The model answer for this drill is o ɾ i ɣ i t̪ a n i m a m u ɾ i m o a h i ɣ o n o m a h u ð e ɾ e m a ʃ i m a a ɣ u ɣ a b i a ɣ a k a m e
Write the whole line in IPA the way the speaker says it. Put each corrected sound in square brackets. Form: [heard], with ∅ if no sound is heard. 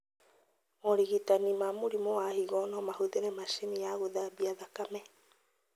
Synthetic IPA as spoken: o ɾ i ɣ i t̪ a n i m a m u ɾ i m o a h i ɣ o n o m a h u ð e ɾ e m a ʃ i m [i] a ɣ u [ð] a b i a [ð] a k a m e